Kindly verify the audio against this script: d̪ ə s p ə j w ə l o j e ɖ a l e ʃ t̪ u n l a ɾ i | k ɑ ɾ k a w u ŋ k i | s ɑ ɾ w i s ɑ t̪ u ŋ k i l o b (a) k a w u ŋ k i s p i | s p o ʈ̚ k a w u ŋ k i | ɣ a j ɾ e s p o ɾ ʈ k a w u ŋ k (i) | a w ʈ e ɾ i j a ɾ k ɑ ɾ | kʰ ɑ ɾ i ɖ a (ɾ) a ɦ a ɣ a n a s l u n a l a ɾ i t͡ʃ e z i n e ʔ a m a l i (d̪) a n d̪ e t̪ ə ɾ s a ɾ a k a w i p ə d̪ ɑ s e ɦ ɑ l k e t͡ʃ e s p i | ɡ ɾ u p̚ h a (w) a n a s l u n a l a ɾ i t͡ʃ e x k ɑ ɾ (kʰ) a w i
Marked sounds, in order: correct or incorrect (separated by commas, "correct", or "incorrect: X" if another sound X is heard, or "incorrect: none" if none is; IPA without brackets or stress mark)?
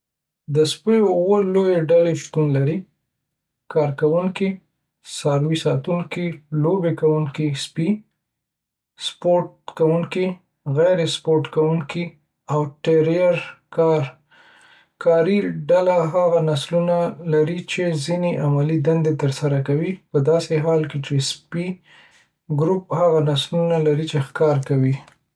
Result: incorrect: e, correct, incorrect: l, correct, incorrect: ɣ, incorrect: k